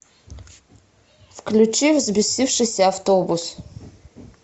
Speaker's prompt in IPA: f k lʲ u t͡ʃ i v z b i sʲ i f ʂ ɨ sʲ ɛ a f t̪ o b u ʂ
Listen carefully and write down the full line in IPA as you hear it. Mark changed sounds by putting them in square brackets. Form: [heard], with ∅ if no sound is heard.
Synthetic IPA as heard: f k lʲ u t͡ʃ i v z b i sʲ i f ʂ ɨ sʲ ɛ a f t̪ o b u [s]